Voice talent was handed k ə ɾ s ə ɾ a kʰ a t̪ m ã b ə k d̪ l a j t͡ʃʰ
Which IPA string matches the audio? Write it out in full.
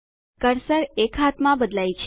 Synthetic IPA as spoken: k ə ɾ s ə ɾ e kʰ a t̪ m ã b ə d̪ l a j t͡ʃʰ